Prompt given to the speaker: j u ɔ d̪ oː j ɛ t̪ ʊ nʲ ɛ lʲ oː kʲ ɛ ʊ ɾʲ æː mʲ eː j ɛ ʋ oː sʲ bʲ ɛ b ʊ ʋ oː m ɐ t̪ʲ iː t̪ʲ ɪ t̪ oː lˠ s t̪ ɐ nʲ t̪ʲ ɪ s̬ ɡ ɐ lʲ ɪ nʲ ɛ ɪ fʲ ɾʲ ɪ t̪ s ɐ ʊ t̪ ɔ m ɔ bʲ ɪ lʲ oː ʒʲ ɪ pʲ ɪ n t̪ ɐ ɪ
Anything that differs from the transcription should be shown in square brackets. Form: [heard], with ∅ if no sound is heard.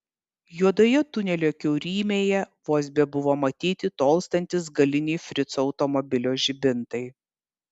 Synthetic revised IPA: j u ɔ d̪ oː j ɛ t̪ ʊ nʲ ɛ lʲ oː kʲ ɛ ʊ ɾʲ [iː] mʲ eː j ɛ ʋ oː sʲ bʲ ɛ b ʊ ʋ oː m ɐ t̪ʲ iː t̪ʲ ɪ t̪ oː lˠ s t̪ ɐ nʲ t̪ʲ ɪ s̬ ɡ ɐ lʲ ɪ nʲ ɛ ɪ fʲ ɾʲ ɪ t̪ s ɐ ʊ t̪ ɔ m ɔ bʲ ɪ lʲ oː ʒʲ ɪ [bʲ] ɪ n t̪ ɐ ɪ